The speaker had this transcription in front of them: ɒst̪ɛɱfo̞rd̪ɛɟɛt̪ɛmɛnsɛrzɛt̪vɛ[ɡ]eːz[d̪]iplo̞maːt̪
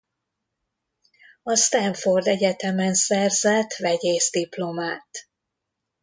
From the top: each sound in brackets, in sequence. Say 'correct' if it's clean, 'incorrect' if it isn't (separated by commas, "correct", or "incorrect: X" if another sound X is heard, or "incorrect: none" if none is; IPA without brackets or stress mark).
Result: incorrect: ɟ, correct